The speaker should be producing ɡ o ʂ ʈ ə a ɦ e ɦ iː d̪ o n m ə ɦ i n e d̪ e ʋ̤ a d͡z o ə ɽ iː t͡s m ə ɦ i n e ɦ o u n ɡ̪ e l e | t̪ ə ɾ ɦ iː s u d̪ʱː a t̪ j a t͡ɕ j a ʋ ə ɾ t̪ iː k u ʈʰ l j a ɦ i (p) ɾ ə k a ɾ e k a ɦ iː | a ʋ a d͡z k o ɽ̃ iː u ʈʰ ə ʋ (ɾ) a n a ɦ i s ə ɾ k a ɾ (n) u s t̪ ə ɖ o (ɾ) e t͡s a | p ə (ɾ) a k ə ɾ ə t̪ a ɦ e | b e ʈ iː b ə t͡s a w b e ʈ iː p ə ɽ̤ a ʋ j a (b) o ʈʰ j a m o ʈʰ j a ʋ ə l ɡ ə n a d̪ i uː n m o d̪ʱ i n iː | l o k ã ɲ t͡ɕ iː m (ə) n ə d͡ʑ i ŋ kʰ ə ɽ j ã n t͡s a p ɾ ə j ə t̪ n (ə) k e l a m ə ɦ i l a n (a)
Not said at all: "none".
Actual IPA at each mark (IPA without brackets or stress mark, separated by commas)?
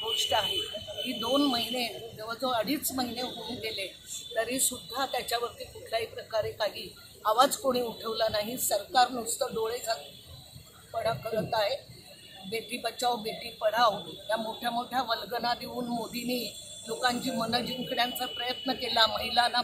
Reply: p, l, n, ɭ, ɽ, m, ə, ə, a